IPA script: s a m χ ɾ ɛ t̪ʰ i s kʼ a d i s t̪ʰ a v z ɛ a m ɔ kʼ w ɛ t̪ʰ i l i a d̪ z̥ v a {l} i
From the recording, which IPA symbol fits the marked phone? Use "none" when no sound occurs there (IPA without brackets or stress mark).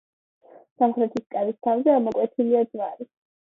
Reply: ɾ